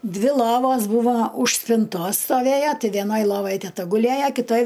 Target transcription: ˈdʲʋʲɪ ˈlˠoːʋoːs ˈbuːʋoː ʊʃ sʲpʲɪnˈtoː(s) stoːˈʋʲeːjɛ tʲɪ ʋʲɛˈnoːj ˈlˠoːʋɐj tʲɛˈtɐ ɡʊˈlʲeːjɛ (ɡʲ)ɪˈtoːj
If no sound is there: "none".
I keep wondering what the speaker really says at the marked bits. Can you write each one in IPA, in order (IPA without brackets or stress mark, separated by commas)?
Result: s, kʲ